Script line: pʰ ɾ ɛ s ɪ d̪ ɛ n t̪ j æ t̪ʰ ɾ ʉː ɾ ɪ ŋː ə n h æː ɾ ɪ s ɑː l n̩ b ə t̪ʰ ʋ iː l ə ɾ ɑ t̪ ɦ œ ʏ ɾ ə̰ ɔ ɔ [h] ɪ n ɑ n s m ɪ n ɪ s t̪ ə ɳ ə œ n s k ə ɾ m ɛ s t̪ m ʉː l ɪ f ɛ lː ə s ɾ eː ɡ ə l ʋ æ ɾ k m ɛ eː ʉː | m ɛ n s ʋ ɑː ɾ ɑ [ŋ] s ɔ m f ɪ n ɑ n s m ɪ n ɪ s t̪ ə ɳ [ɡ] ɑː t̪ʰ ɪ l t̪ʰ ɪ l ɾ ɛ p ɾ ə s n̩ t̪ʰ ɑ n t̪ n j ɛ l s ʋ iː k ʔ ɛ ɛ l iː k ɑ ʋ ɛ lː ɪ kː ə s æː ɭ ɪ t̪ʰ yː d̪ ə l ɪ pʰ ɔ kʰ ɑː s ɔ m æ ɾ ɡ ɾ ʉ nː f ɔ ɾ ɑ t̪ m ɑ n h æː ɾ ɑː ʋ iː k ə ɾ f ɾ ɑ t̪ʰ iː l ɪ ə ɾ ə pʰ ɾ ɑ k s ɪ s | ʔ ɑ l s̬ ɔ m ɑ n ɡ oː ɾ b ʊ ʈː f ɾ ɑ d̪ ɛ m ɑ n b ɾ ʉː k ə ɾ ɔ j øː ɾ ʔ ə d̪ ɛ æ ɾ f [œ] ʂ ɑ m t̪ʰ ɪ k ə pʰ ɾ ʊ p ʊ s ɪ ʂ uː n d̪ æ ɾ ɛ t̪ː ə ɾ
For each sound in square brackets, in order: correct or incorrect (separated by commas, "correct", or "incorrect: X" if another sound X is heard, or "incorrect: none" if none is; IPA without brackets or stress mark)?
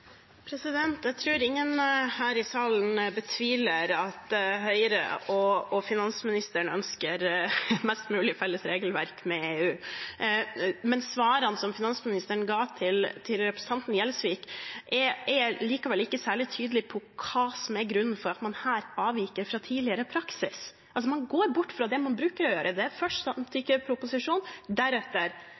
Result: incorrect: f, incorrect: n, correct, correct